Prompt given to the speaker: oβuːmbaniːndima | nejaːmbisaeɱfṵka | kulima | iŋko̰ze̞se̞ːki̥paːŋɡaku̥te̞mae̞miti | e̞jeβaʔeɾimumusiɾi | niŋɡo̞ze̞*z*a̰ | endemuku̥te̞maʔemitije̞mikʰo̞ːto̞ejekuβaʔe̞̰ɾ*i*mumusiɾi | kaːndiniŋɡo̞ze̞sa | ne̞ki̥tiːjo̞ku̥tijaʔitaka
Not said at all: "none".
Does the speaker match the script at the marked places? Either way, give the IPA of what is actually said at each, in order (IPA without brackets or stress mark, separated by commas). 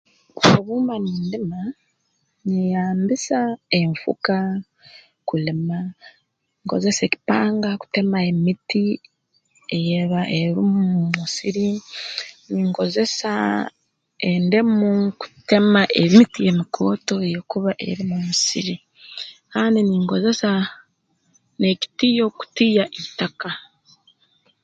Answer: s, i